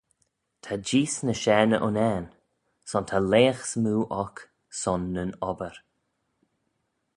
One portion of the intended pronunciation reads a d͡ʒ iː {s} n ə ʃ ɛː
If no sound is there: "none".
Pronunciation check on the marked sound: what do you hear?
s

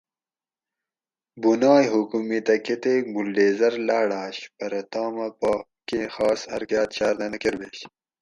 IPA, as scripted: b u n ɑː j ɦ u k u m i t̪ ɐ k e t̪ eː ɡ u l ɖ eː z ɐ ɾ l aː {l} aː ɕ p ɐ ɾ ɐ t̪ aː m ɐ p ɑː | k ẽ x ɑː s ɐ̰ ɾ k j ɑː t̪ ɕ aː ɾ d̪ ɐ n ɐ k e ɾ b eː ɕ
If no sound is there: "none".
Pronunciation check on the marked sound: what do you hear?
ɽ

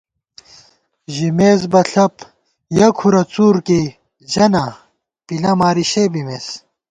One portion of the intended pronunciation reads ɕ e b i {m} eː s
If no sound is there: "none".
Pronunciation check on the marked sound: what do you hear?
m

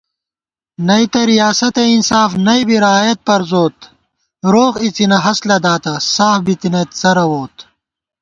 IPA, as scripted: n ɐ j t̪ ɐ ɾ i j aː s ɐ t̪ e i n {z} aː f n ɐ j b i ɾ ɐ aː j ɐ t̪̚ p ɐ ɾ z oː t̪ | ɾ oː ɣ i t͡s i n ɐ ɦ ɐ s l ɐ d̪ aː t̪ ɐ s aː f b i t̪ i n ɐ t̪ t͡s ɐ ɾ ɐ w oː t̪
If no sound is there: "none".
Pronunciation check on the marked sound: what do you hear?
s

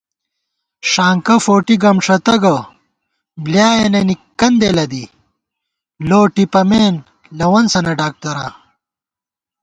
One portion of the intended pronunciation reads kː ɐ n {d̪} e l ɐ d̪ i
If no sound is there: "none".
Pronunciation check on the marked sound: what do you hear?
d̪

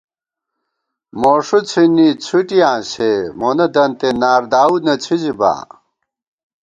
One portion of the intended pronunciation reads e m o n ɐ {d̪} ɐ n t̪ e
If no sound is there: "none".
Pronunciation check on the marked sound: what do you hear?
d̪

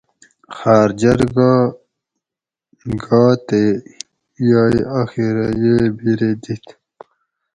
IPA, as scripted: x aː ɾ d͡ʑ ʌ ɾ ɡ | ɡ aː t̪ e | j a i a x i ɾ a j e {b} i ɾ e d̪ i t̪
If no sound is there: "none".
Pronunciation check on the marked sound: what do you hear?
b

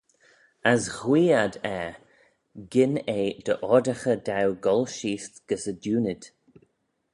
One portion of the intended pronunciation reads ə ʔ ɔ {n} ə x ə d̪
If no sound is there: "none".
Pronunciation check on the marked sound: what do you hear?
d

